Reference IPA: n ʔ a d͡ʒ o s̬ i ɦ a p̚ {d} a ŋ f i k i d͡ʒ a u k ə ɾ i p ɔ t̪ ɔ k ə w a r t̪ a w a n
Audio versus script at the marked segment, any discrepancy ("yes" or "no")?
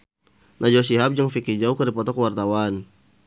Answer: yes